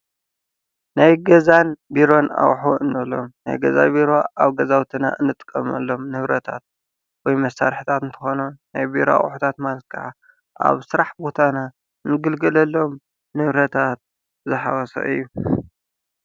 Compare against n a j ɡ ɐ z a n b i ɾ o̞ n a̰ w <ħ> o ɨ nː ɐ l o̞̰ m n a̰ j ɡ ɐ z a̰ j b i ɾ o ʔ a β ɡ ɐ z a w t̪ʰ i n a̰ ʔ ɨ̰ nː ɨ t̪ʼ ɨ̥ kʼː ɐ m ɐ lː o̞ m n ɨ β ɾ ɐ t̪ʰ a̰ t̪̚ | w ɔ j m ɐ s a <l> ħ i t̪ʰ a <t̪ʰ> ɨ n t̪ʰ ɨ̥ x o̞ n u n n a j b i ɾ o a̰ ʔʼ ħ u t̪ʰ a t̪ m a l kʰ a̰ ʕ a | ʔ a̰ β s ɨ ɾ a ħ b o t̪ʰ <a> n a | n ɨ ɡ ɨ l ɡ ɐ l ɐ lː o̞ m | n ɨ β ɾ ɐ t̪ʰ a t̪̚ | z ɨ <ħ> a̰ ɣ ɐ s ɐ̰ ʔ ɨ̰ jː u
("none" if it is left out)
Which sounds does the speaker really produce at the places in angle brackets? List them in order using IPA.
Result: ħ, ɾ, t̪, a, ħ

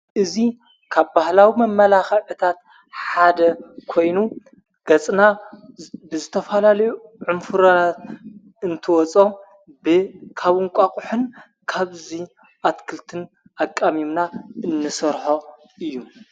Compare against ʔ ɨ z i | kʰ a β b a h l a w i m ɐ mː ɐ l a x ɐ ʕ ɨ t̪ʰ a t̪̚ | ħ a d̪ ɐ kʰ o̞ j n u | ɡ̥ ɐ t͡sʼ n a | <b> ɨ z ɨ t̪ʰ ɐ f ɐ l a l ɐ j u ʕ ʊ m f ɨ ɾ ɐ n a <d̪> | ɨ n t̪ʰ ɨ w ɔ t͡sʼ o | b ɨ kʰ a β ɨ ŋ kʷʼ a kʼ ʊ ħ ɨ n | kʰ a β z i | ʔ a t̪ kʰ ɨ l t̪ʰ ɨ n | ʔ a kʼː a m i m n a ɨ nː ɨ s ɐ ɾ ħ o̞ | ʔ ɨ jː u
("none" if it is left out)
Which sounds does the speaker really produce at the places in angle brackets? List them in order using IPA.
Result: b, t̪

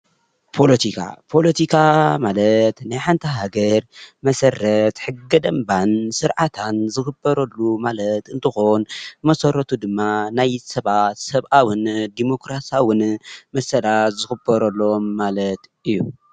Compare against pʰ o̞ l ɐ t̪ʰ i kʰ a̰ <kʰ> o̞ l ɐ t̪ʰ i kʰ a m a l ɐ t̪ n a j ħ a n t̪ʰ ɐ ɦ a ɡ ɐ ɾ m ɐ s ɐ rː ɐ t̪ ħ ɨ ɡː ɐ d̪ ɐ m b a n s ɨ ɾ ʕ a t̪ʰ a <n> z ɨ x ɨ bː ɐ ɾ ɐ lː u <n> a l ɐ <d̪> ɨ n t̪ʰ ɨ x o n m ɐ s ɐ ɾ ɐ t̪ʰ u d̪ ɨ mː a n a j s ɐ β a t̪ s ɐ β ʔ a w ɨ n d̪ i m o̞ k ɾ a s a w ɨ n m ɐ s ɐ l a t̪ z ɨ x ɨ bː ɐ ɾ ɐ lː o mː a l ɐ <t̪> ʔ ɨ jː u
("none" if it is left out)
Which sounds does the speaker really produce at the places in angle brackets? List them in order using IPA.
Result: pʰ, n, m, t̪, t̪

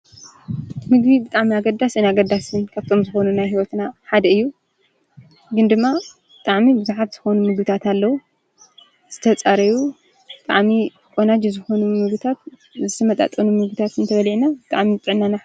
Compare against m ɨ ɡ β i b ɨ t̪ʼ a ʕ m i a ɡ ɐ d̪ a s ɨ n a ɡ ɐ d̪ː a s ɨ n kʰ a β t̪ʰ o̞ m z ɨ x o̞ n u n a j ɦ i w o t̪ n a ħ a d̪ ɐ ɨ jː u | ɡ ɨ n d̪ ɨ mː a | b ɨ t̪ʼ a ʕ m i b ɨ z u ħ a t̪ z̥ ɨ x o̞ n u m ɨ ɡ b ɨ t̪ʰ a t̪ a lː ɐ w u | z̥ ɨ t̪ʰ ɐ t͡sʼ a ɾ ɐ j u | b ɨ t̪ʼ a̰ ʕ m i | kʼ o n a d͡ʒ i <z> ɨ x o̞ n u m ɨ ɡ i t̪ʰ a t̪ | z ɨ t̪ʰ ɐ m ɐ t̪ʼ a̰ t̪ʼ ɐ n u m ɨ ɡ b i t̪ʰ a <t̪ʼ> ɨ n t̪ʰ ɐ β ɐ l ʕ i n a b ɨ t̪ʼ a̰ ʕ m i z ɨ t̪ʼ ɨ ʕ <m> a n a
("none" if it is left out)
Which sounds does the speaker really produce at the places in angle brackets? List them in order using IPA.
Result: z, t̪, n

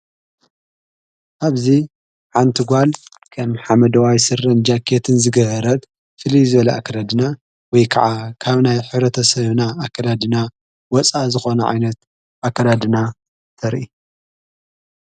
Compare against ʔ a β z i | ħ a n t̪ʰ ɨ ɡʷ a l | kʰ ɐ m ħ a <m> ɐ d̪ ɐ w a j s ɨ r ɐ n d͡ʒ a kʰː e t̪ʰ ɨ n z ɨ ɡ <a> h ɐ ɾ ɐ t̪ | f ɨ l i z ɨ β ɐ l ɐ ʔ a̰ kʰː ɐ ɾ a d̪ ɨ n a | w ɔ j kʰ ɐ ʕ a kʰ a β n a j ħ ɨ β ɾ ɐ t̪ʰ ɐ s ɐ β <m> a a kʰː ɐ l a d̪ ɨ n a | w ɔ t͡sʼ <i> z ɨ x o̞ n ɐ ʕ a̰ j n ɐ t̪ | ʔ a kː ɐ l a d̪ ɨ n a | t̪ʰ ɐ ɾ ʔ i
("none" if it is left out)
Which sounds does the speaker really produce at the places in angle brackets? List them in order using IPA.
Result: m, ɐ, n, a

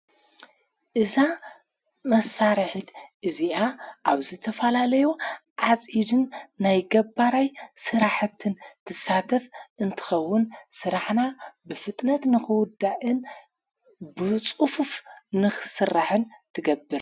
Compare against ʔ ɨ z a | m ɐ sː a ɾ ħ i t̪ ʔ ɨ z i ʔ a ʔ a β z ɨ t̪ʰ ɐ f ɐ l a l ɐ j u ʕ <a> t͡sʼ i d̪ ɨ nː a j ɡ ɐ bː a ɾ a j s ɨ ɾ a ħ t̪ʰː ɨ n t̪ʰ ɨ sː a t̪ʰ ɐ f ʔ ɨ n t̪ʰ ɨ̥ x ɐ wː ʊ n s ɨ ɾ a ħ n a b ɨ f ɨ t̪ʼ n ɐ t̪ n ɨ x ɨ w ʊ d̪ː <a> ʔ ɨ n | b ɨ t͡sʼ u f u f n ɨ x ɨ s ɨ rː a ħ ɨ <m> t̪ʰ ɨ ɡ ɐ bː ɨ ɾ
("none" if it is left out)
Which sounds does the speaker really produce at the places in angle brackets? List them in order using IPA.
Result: a, a, n

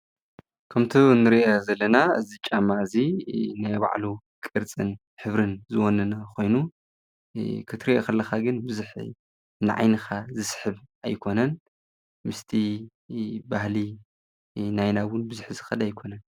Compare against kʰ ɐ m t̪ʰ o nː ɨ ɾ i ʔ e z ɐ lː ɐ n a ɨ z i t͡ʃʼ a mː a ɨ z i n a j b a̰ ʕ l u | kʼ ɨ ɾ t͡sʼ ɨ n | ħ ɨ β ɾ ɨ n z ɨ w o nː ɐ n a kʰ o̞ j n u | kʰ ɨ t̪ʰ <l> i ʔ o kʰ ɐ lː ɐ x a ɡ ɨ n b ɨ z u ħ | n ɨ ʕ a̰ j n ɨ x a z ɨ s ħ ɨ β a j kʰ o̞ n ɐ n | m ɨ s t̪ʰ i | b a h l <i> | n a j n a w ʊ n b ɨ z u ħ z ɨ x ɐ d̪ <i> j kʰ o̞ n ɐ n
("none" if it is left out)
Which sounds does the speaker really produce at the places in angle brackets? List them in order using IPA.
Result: ɾ, i, a

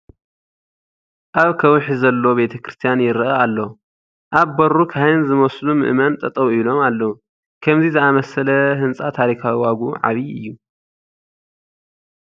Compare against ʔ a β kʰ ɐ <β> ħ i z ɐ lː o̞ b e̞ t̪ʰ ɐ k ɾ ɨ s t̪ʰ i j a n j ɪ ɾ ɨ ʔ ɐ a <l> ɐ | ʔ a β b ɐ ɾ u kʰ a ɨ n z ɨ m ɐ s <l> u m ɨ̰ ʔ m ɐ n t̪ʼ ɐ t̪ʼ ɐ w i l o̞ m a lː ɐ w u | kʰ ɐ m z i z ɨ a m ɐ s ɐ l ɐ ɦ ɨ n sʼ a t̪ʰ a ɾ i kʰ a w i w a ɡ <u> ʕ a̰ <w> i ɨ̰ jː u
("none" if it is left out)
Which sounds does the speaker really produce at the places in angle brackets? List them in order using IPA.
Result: w, lː, l, u, β

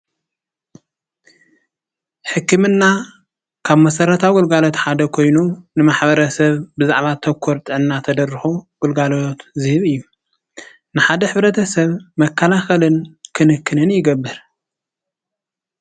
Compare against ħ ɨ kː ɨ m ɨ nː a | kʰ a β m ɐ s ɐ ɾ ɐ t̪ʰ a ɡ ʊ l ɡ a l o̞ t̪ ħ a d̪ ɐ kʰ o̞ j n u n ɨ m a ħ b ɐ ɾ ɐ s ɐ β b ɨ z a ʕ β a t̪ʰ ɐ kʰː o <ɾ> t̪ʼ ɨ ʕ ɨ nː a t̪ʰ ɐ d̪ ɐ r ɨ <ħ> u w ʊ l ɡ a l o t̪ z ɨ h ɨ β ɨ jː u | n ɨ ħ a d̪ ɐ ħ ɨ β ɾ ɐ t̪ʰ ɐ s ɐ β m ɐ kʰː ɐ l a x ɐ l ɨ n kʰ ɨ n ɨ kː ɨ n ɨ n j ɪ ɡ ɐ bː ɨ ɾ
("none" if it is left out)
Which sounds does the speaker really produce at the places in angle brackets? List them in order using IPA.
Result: ɾ, x

